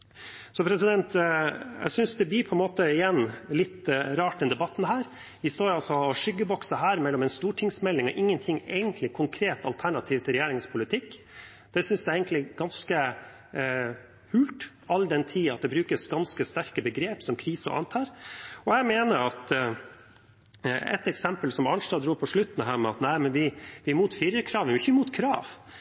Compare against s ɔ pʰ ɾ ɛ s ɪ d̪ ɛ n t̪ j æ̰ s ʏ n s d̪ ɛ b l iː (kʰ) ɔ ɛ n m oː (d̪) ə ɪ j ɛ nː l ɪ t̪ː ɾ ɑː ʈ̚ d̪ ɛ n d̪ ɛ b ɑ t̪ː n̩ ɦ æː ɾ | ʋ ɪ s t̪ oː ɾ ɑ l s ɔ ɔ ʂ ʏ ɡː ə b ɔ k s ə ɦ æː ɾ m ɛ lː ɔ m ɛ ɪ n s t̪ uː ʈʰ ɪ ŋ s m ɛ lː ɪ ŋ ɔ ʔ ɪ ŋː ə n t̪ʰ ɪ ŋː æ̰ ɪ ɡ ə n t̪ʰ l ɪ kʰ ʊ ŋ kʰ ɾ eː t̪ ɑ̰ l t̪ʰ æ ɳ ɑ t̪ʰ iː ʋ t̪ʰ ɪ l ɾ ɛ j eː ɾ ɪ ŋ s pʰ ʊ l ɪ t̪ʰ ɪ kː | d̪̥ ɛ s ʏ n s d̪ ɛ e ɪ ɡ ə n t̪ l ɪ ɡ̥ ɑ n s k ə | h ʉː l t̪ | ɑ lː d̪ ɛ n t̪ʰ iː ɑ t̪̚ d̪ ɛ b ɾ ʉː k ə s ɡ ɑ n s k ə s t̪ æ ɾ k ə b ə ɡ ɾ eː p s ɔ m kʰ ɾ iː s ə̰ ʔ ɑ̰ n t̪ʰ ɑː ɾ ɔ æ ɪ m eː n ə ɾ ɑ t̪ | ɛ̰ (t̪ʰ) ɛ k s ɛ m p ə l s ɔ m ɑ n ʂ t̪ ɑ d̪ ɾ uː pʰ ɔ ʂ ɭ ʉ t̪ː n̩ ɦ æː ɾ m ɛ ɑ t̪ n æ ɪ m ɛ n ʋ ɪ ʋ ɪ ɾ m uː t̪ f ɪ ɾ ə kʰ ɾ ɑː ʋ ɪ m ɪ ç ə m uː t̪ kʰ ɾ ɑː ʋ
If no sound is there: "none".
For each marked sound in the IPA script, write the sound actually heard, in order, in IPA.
pʰ, t̪, t̪

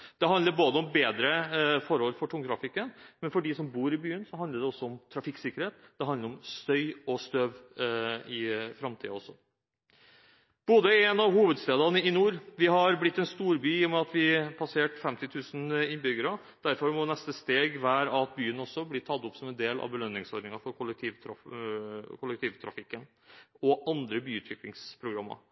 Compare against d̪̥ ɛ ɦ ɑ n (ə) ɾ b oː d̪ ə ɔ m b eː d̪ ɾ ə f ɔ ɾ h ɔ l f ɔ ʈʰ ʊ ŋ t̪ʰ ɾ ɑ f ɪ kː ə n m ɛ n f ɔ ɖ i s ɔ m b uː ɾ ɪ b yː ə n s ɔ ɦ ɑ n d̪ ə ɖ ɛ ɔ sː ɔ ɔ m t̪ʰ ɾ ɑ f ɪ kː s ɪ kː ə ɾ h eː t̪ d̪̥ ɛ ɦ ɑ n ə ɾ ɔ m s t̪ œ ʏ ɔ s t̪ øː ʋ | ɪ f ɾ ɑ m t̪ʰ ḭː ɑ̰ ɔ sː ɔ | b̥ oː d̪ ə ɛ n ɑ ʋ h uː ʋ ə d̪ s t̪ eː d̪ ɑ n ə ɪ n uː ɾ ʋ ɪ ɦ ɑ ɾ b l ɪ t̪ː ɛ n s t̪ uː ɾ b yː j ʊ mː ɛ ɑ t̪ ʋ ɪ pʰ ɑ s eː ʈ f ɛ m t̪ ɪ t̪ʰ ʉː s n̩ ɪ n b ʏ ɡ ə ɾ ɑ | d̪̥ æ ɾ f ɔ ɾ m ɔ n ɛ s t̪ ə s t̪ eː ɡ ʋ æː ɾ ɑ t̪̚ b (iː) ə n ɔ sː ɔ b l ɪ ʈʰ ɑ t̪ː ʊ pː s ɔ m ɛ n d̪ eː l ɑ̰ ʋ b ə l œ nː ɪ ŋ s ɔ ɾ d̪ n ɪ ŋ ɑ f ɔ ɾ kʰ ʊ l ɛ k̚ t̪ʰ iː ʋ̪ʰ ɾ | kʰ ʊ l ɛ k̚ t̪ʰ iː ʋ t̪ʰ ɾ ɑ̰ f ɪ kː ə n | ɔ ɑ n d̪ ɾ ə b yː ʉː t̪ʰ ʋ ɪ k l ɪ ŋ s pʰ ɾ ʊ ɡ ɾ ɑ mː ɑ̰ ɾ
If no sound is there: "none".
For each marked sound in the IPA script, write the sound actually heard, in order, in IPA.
ə, yː

